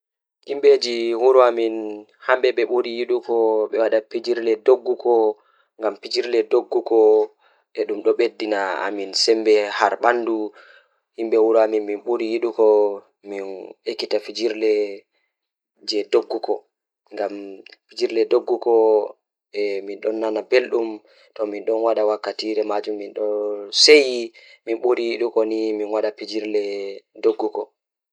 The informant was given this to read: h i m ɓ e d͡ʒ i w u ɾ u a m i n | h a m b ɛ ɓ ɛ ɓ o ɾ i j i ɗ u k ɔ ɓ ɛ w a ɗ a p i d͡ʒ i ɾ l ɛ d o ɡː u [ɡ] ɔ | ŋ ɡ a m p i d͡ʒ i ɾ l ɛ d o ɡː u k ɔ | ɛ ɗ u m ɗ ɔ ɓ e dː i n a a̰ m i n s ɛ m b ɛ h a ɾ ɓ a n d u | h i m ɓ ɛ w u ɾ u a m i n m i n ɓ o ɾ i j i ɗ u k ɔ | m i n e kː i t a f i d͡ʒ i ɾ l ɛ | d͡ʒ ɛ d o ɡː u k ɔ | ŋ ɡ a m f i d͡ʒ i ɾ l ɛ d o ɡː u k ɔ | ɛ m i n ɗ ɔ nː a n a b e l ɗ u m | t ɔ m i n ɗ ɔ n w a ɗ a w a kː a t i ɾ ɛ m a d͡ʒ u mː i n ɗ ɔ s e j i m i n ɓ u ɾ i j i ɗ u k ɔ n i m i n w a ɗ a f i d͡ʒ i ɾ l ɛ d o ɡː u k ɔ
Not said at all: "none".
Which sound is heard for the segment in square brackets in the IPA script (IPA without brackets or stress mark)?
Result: k